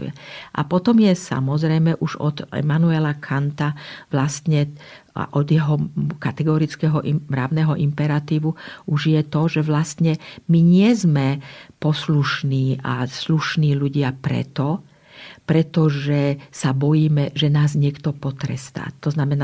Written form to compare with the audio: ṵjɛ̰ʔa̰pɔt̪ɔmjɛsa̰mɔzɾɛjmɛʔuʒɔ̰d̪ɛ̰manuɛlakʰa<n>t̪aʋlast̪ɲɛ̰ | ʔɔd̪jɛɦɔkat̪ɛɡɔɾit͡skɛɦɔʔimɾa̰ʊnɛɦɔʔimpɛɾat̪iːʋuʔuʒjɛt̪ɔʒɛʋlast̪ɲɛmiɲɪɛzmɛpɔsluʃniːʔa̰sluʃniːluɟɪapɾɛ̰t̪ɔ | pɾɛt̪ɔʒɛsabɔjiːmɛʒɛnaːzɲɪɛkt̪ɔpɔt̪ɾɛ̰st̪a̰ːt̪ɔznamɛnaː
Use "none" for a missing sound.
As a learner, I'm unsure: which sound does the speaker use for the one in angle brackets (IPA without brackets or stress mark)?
n